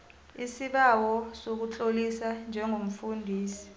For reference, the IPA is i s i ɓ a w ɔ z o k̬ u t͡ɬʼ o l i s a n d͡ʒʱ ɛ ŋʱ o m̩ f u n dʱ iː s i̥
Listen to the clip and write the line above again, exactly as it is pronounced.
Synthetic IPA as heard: i s i ɓ a w ɔ s o k̬ u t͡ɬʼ o l i s a n d͡ʒʱ ɛ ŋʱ o m̩ f u n dʱ iː s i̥